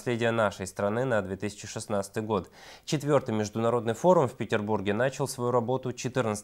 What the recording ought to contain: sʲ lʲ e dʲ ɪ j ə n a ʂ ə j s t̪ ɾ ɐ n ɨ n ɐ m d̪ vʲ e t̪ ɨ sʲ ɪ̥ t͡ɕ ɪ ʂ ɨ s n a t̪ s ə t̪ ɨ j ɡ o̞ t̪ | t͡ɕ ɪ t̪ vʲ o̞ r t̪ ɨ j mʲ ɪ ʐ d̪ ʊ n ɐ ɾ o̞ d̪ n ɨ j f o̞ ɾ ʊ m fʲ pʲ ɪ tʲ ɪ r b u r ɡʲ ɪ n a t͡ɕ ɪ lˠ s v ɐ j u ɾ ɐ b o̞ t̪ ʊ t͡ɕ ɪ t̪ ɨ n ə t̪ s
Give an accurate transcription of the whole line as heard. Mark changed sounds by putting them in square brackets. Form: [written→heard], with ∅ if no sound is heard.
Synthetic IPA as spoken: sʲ lʲ e dʲ ɪ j ə n a ʂ ə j s t̪ ɾ ɐ n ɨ n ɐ [m→∅] d̪ vʲ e t̪ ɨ sʲ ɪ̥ t͡ɕ ɪ ʂ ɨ s n a t̪ s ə t̪ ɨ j ɡ o̞ t̪ | t͡ɕ ɪ t̪ vʲ o̞ r t̪ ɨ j mʲ ɪ ʐ d̪ ʊ n ɐ ɾ o̞ d̪ n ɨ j f o̞ ɾ ʊ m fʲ pʲ ɪ tʲ ɪ r b u r ɡʲ ɪ n a t͡ɕ ɪ lˠ s v ɐ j u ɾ ɐ b o̞ t̪ ʊ t͡ɕ ɪ t̪ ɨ n ə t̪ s